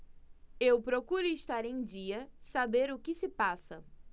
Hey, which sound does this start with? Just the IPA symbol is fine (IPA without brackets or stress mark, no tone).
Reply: e